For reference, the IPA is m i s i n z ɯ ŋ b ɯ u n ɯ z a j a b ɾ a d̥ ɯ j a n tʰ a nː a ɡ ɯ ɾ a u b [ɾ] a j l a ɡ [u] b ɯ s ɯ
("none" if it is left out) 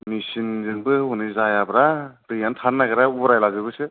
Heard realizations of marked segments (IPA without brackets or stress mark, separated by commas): ɾ, ɯ